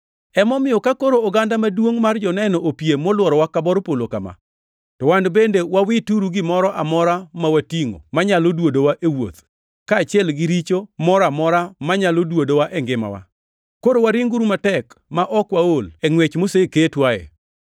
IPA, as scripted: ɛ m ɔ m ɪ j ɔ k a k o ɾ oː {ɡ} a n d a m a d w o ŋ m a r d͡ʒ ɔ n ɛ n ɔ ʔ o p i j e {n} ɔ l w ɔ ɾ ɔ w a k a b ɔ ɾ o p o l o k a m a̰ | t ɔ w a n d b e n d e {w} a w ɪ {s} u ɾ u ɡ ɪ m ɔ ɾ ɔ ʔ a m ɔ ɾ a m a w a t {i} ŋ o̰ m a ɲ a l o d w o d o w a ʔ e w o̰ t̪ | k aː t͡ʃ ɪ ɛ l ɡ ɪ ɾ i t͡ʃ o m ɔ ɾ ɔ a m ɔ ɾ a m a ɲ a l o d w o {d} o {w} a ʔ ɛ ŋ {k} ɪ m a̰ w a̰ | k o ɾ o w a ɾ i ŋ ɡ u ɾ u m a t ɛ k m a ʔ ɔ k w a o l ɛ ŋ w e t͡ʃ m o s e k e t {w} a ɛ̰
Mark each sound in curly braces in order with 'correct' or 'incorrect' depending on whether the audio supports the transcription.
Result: correct, incorrect, correct, incorrect, correct, correct, correct, incorrect, correct

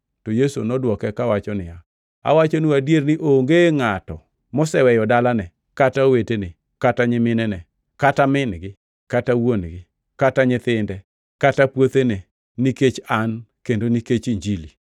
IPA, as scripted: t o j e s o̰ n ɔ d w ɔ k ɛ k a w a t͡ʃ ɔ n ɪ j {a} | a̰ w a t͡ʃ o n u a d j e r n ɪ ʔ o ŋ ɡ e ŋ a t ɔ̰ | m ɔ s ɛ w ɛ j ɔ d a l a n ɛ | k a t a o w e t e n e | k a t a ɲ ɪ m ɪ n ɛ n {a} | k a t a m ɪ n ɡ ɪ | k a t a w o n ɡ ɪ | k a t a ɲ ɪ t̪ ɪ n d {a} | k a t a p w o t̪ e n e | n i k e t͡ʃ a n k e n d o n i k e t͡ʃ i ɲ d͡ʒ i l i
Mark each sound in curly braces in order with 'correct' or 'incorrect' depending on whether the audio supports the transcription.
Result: correct, incorrect, incorrect

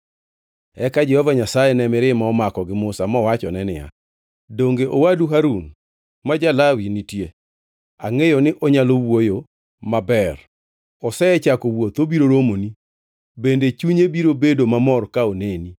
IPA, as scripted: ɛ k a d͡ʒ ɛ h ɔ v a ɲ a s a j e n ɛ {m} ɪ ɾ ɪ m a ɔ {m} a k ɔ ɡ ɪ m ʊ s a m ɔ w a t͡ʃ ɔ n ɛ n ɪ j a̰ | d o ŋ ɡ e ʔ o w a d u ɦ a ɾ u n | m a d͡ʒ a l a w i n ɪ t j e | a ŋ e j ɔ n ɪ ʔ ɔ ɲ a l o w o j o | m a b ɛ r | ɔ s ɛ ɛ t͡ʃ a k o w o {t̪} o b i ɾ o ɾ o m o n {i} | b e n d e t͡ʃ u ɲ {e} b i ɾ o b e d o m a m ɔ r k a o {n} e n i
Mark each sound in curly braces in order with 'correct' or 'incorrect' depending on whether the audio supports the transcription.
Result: correct, correct, correct, correct, correct, correct

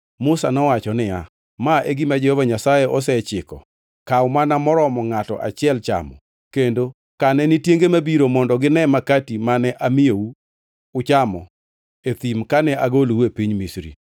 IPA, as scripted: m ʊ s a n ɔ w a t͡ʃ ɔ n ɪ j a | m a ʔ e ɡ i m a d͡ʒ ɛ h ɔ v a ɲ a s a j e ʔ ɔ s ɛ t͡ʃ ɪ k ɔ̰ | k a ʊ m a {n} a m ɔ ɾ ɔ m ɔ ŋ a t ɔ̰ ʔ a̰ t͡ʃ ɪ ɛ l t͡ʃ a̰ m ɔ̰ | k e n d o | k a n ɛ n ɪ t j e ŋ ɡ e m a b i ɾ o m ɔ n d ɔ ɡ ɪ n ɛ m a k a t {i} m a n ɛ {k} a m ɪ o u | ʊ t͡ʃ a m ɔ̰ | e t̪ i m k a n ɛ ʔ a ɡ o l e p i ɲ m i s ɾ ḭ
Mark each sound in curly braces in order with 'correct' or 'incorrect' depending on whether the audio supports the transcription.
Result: correct, correct, incorrect

